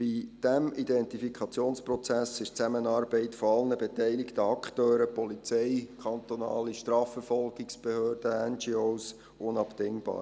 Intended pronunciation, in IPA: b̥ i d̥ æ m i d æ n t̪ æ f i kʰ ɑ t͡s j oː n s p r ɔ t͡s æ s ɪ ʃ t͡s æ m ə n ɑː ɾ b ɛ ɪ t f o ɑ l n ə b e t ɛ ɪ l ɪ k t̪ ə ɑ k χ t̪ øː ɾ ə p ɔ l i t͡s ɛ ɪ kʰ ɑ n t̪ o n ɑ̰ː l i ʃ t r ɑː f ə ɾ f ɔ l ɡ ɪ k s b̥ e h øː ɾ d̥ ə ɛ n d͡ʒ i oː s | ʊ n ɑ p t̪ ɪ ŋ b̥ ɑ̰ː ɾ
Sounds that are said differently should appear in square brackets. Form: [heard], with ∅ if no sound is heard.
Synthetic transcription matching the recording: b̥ i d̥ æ m i d [ɛ] n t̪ [i] f i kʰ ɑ t͡s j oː n s p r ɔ t͡s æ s ɪ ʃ t͡s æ m ə n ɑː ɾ b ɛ ɪ t f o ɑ l n ə b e t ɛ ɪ l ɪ k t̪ ə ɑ k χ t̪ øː ɾ ə p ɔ l i t͡s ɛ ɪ kʰ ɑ n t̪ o n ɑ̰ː l i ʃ t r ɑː f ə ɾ f ɔ l ɡ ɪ k s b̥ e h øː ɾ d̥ ə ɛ n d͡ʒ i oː s | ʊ n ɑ p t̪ ɪ ŋ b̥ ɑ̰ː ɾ